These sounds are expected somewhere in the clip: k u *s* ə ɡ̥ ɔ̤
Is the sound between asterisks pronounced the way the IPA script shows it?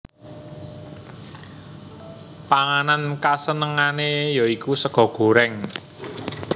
yes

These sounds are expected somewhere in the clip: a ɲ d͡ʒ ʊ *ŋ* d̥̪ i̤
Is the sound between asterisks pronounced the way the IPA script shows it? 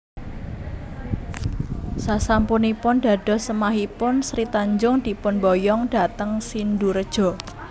yes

